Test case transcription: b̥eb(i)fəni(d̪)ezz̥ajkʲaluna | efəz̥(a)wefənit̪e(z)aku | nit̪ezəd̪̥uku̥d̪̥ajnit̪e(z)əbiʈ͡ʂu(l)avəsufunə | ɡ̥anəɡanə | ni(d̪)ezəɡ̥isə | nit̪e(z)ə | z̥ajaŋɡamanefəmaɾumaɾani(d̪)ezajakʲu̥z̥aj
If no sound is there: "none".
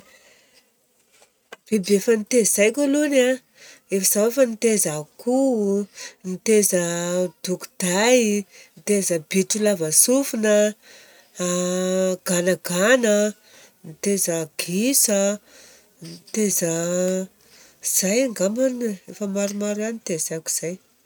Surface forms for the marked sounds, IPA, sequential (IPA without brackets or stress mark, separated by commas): e, t̪, a, z, z, l, t̪, z, t̪